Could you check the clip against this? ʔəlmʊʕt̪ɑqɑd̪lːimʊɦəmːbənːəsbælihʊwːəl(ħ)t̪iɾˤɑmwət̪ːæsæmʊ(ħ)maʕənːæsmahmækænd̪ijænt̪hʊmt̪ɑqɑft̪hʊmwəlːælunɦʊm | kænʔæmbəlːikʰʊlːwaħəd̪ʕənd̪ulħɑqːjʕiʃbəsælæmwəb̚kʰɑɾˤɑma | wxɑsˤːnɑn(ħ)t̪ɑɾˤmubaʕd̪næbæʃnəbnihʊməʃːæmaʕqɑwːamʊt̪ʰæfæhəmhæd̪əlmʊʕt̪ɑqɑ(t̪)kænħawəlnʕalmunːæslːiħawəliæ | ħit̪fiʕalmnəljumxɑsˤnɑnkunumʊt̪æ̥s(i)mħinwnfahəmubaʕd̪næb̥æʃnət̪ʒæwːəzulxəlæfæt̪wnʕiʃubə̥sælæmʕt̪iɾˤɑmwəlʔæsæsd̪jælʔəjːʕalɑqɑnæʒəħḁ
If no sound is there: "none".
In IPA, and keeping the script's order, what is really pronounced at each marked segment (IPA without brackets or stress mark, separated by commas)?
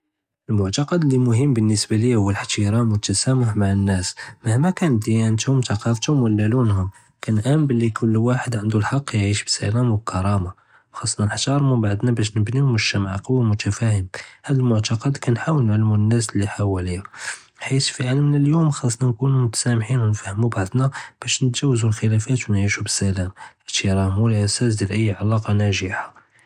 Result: ħ, ħ, ħ, d̪, æ